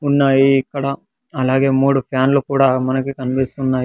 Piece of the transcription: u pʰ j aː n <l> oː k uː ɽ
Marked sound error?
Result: no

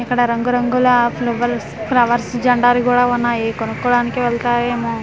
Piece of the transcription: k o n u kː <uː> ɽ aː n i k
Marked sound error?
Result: yes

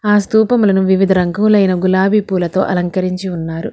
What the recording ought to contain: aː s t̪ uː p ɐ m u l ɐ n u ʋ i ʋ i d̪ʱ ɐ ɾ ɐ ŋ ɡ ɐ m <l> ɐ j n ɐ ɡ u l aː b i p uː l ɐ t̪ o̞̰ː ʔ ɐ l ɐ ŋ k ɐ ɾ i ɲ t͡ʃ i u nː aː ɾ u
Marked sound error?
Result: no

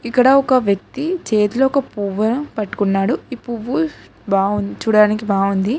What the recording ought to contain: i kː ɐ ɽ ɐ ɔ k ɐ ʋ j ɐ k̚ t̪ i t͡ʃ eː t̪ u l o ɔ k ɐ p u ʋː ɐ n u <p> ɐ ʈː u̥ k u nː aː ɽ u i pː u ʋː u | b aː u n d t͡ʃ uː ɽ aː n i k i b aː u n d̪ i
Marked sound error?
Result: no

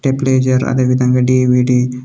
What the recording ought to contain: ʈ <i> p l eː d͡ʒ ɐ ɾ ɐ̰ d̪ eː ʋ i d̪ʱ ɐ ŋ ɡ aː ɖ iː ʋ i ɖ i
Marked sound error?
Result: yes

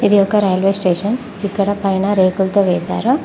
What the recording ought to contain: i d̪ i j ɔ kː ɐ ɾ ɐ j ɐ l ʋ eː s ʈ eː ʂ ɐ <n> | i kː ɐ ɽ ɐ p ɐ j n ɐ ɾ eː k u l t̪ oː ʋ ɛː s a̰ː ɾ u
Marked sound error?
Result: no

